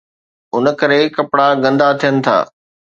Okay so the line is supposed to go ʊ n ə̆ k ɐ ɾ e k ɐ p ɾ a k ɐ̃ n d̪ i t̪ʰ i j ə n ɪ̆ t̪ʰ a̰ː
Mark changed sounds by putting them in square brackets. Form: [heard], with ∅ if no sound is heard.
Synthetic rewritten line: ʊ n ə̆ k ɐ ɾ e k ɐ p [ɽ] a [ɡ] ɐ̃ n d̪ [a] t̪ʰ i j ə n ɪ̆ t̪ʰ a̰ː